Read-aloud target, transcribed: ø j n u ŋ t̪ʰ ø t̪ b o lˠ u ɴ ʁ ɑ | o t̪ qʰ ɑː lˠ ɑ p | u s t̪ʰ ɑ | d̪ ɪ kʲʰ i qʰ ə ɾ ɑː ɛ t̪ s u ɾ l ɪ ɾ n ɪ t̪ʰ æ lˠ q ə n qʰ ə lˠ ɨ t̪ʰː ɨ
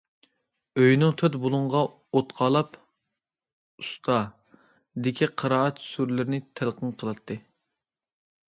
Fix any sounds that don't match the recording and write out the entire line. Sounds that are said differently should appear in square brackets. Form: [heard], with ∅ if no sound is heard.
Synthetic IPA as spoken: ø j n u ŋ t̪ʰ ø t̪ b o lˠ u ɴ ʁ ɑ | o t̪ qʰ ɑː lˠ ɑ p | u s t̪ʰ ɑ | d̪ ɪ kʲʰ i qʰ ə ɾ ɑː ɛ t̪ s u ɾ l ɪ ɾ n ɪ t̪ʰ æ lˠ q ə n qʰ ə lˠ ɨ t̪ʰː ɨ